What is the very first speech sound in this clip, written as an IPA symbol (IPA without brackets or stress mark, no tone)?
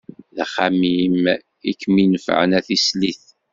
ð